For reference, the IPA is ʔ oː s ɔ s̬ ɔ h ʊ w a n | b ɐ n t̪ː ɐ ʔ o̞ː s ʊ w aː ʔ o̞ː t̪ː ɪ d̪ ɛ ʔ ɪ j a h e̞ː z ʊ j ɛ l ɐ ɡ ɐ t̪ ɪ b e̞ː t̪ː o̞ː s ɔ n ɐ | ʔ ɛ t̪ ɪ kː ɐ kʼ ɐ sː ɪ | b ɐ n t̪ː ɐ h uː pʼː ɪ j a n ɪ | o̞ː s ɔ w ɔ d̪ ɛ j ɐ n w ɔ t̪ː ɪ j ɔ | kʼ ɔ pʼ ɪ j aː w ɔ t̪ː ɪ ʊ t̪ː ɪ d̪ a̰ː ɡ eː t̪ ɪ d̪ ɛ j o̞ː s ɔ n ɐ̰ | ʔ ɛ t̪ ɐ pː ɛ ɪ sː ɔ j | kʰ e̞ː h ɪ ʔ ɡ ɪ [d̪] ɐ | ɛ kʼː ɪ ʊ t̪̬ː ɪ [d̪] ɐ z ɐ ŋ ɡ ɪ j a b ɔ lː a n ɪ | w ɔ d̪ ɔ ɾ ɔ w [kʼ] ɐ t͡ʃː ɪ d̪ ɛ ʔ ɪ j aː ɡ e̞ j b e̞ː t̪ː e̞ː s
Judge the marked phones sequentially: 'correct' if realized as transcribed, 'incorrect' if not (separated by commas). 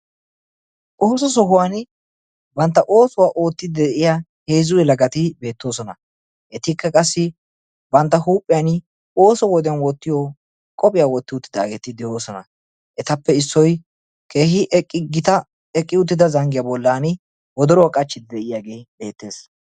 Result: incorrect, correct, correct